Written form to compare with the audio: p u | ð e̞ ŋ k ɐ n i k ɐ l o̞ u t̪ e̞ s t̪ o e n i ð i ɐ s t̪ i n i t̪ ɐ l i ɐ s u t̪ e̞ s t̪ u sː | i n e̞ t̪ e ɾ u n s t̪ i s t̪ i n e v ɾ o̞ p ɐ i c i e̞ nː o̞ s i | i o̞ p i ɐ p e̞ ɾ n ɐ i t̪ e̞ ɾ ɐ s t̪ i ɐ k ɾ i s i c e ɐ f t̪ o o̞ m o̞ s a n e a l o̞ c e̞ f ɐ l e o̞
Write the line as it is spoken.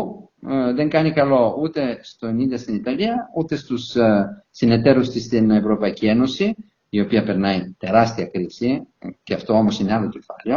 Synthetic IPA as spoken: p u | ð e̞ ŋ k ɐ n i k ɐ l o̞ u t̪ e̞ s t̪ o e n i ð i ɐ s t̪ i n i t̪ ɐ l i ɐ u t̪ e̞ s t̪ u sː | i n e̞ t̪ e ɾ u s t̪ i s t̪ i n e v ɾ o̞ p ɐ i c i e̞ n o̞ s i | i o̞ p i ɐ p e̞ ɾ n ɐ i t̪ e̞ ɾ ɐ s t̪ i ɐ k ɾ i s i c e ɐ f t̪ o o̞ m o̞ s i n e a l o̞ c e̞ f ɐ l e o̞